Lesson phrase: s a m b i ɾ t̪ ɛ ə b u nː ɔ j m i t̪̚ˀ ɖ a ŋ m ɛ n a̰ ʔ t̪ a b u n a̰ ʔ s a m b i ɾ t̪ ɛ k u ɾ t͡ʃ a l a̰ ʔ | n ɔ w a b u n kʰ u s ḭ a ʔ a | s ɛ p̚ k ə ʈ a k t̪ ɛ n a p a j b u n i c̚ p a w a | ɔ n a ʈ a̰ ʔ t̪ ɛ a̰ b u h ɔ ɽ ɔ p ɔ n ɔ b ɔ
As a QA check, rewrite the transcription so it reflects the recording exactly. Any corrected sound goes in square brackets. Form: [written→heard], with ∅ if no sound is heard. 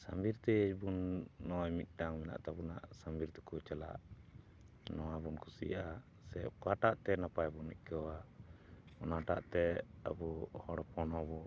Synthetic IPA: s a m b i ɾ t̪ ɛ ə b u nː ɔ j m i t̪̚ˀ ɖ a ŋ m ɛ n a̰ ʔ t̪ a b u n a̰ ʔ s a m b i ɾ t̪ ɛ k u [ɾ→∅] t͡ʃ a l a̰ ʔ | n ɔ w a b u n kʰ u s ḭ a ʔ a | s ɛ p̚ k [ə→a] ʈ a [k→ʔ] t̪ ɛ n a p a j b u n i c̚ [p→k] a w a | ɔ n a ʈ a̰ ʔ t̪ ɛ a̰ b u h ɔ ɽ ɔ p ɔ n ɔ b ɔ